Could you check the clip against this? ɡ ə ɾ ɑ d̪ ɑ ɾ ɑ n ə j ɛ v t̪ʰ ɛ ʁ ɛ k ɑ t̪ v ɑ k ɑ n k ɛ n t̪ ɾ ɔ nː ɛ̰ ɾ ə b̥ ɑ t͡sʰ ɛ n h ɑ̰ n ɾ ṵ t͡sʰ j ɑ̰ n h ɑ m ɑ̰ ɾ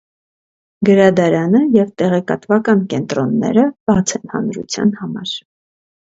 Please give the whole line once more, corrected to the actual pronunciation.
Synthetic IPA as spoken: ɡ ə ɾ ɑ d̪ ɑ ɾ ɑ n ə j ɛ v t̪ ɛ ʁ ɛ k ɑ t̪ v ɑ k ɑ n k ɛ n t̪ ɾ ɔ nː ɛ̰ ɾ ə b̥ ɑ t͡sʰ ɛ n h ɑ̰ n ɾ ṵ t͡sʰ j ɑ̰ n h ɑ m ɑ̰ ɾ